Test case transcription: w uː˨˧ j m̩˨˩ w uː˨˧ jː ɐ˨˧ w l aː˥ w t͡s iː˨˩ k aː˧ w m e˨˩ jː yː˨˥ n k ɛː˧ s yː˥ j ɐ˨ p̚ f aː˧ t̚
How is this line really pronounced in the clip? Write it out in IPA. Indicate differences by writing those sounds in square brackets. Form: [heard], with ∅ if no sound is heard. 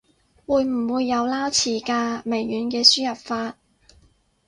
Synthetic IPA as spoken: w uː˨˧ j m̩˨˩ w uː˨˧ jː ɐ˨˧ w l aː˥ w [t͡sʰ] iː˨˩ k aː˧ [∅] m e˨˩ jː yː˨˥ n k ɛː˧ s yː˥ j ɐ˨ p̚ f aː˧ t̚